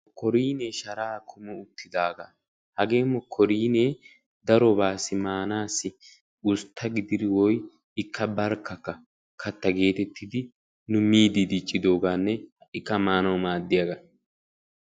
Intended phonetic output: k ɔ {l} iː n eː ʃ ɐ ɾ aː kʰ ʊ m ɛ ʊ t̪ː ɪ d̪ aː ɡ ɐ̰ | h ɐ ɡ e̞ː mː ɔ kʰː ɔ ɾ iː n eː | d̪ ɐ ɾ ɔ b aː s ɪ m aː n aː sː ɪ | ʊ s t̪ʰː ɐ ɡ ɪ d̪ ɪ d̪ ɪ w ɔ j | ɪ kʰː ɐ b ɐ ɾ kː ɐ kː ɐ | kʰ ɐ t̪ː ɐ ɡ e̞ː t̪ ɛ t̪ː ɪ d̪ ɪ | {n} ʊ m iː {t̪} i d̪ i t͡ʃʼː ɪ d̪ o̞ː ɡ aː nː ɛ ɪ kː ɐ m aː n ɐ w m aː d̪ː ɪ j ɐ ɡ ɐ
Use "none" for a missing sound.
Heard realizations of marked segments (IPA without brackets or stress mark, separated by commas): ɾ, n, d̪